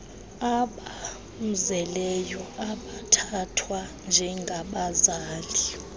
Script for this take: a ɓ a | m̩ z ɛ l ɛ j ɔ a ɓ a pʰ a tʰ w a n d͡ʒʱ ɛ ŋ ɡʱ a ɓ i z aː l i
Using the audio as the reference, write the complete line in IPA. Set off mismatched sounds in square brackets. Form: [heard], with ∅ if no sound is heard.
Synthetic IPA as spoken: a ɓ a | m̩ z ɛ l ɛ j ɔ a ɓ a [tʰ] a tʰ w a n d͡ʒʱ ɛ ŋ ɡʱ a ɓ [a] z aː l i